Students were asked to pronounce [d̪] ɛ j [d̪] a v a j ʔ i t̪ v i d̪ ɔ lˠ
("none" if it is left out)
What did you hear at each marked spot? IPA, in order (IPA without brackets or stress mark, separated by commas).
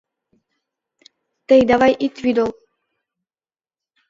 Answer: t̪, d̪